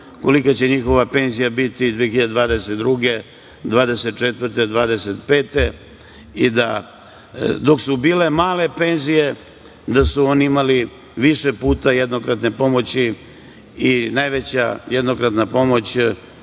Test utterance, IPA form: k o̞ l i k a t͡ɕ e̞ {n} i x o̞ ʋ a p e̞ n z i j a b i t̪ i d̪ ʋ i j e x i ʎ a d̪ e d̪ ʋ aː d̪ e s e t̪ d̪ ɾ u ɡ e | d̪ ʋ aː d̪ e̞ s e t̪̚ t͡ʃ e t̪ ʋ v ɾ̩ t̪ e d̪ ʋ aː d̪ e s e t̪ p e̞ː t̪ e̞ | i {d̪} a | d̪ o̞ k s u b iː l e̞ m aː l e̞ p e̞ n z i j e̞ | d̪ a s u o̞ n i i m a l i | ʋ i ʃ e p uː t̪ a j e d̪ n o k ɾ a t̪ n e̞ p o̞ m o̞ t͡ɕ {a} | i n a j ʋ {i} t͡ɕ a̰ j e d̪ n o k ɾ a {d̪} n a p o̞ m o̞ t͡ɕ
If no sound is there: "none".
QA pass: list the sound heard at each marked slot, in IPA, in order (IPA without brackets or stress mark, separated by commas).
ɲ, d̪, i, e, t̪